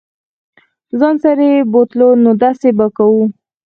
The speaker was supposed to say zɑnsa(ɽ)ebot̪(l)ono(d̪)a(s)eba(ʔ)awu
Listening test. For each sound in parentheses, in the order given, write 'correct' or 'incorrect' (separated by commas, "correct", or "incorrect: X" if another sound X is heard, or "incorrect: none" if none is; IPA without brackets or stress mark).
incorrect: ɾ, correct, correct, correct, incorrect: k